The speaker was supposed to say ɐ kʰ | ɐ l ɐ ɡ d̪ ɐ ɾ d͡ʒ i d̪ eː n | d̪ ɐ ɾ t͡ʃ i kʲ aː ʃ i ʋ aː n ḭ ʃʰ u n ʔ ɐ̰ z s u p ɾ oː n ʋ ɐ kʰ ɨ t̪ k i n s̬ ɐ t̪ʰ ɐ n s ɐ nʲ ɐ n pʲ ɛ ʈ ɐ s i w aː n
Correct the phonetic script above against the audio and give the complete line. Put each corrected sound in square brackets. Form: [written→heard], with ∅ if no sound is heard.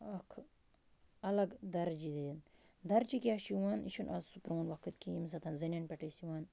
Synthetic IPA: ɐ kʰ | ɐ l ɐ ɡ d̪ ɐ ɾ d͡ʒ i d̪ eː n | d̪ ɐ ɾ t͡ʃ i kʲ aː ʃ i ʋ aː n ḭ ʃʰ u n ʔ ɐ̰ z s u p ɾ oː n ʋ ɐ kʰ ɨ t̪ k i [n→m] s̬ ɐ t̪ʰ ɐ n [s→z] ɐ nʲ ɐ n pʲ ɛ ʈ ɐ s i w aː n

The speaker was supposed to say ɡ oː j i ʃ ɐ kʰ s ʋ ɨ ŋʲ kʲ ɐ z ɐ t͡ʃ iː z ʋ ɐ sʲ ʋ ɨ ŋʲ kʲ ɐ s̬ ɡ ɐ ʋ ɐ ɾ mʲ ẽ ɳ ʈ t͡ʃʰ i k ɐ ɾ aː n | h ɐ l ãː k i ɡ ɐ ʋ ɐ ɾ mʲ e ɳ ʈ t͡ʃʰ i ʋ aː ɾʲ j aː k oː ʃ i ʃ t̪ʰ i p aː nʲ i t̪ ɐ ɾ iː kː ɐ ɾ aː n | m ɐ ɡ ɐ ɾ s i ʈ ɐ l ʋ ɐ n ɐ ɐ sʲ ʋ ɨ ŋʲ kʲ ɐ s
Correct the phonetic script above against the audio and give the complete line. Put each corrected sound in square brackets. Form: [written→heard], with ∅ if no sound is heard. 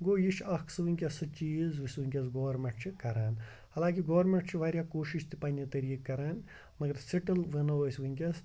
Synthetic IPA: ɡ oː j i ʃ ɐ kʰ s ʋ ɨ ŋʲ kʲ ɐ [z→s] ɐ t͡ʃ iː z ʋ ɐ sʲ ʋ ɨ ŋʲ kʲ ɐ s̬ ɡ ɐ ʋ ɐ ɾ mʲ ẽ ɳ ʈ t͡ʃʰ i k ɐ ɾ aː n | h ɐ l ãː k i ɡ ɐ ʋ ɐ ɾ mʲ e ɳ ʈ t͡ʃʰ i ʋ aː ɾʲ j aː k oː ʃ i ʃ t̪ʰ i p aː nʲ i t̪ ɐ ɾ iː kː ɐ ɾ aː n | m ɐ ɡ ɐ ɾ s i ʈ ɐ l ʋ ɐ n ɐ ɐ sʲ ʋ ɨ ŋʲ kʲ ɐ s

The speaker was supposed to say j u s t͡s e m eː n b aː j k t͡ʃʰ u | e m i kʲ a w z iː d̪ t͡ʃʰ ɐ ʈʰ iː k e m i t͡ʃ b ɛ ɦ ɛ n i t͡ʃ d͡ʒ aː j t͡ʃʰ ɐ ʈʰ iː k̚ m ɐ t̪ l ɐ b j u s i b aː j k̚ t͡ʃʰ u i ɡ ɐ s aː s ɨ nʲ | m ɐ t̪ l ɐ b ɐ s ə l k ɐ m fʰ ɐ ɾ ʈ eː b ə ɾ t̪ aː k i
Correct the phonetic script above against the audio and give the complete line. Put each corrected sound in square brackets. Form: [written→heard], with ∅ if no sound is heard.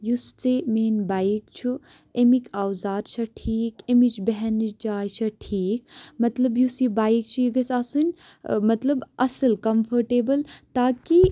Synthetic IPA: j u s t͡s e m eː n b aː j k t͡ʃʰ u | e m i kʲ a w z [iː→aː] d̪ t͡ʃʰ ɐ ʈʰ iː k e m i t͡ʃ b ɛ ɦ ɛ n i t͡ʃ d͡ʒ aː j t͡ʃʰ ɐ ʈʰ iː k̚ m ɐ t̪ l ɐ b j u s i b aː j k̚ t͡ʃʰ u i ɡ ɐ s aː s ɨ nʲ | m ɐ t̪ l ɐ b ɐ s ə l k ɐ m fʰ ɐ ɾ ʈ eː b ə [ɾ→l] t̪ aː k i

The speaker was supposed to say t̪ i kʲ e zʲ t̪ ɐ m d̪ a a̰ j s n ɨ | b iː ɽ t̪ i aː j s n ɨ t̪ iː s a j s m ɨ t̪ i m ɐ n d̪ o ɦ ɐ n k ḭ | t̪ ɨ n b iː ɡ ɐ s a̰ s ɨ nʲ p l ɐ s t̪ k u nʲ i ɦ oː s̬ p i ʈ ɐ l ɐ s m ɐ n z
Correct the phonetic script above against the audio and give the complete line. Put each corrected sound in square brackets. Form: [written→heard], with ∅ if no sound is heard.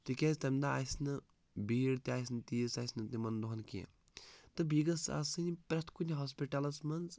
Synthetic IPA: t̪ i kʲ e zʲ t̪ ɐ m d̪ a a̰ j s n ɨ | b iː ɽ t̪ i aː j s n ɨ t̪ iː s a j s [m→n] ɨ t̪ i m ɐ n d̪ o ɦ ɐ n k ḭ | t̪ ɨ [n→∅] b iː ɡ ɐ s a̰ s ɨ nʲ p [l→ɾ] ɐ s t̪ k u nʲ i ɦ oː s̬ p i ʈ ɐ l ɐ s m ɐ n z

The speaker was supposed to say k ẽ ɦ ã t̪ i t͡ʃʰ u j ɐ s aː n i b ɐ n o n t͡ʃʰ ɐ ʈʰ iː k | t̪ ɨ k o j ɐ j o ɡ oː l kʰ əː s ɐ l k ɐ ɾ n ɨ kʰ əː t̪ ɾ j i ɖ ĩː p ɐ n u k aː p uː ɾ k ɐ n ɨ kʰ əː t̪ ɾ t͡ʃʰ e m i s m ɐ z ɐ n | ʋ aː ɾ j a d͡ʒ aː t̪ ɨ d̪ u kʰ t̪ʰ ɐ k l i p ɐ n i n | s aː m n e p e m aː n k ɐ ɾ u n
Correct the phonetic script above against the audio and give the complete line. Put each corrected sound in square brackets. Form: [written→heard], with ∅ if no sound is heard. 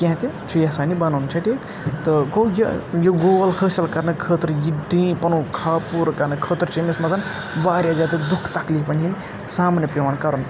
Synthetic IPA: k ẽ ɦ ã t̪ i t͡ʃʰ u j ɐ s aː n i b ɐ n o n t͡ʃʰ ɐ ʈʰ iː k | t̪ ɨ k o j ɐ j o ɡ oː l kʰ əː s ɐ l k ɐ ɾ n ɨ kʰ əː t̪ ɾ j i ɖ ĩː p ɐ n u [k→kʰ] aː p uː ɾ k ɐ n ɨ kʰ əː t̪ ɾ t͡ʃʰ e m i s m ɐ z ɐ n | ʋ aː ɾ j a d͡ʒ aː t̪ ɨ d̪ u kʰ [t̪ʰ→t̪] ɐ k l i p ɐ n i n | s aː m n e p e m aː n k ɐ ɾ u n

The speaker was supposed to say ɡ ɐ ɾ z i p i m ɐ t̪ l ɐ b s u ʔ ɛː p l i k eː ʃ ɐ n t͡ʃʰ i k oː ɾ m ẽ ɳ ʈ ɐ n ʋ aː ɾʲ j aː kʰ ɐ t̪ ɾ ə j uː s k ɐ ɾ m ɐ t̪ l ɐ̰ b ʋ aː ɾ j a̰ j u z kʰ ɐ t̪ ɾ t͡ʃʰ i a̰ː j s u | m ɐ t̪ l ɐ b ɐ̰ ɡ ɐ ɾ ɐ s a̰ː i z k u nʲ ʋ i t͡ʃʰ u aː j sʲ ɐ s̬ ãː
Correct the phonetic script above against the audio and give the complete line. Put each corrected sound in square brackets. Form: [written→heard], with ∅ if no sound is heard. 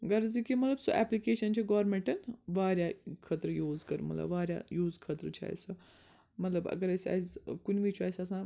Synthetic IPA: ɡ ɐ ɾ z i [p→k] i m ɐ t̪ l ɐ b s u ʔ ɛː p l i k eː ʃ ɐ n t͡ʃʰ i [k→ɡ] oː ɾ m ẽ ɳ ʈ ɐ n ʋ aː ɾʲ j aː kʰ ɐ t̪ ɾ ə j uː [s→z] k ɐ ɾ m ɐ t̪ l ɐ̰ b ʋ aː ɾ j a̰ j [u→uː] z kʰ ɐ t̪ ɾ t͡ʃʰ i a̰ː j s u | m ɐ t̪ l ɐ b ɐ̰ ɡ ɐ ɾ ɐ s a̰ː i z k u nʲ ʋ i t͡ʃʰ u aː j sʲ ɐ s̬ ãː

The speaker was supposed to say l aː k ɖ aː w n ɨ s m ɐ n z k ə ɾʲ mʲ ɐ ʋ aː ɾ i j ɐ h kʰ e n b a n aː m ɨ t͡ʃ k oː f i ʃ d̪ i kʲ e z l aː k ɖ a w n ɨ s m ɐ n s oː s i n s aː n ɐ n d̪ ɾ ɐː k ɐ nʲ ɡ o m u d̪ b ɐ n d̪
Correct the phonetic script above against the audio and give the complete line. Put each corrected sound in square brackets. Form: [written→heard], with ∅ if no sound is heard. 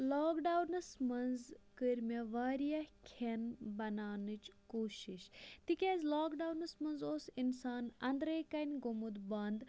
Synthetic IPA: l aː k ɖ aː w n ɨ s m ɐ n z k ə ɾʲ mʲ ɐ ʋ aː ɾ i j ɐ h kʰ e n b [a→ɐ] n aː [m→n] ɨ t͡ʃ k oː [f→ʃ] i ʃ [d̪→t̪] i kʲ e z l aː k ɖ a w n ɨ s m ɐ n [s→z] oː s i n s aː n ɐ n d̪ ɾ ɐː k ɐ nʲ ɡ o m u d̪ b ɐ n d̪

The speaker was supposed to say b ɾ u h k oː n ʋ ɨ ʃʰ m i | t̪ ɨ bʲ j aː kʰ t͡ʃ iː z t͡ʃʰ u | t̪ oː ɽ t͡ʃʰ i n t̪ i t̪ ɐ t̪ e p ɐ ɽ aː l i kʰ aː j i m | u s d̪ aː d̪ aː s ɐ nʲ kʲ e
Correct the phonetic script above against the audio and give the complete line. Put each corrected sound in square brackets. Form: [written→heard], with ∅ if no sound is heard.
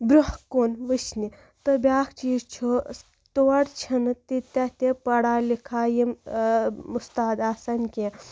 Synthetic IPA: b ɾ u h k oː n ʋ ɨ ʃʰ [m→n] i | t̪ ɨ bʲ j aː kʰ t͡ʃ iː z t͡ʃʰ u | t̪ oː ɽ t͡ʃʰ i n t̪ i t̪ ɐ t̪ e p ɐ ɽ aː l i kʰ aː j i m | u s [d̪→t̪] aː d̪ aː s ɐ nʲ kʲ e

